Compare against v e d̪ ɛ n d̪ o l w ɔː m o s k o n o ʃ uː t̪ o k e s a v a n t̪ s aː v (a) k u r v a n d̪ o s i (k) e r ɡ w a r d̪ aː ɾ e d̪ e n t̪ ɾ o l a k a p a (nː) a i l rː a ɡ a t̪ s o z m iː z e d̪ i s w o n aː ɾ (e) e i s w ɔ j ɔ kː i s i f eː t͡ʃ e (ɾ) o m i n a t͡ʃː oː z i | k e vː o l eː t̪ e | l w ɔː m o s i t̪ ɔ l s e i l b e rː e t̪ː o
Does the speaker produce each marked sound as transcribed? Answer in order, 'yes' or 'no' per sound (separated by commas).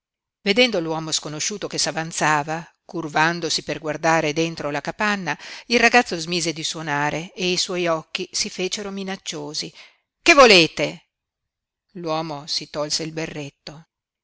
yes, no, yes, yes, yes